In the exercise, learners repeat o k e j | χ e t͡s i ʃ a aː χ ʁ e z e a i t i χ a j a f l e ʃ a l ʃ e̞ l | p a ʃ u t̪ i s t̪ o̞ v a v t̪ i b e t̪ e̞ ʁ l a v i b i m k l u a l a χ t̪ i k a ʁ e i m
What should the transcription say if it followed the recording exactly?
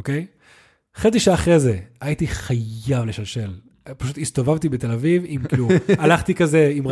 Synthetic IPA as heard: o k e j | χ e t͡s i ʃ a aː χ ʁ e z e a i t i χ a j a v l e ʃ a l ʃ e̞ l | p a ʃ u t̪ i s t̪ o̞ v a v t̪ i b e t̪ e̞ l a v i v i m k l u a l a χ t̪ i k a z e i m